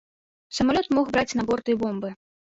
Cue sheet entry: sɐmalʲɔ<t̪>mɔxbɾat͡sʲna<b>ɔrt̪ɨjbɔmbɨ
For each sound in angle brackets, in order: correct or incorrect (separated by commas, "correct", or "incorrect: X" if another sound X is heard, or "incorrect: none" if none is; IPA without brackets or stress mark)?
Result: correct, correct